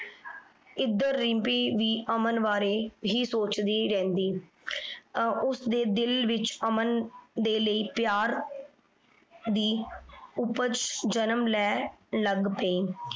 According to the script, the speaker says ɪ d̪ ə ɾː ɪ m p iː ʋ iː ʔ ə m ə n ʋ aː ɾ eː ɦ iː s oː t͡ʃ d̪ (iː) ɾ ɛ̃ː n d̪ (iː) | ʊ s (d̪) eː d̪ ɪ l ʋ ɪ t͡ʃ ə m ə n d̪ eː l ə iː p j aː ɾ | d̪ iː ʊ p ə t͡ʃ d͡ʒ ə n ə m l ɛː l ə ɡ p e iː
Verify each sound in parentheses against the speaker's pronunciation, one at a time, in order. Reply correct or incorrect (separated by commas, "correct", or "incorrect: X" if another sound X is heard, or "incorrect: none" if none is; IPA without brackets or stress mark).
correct, correct, correct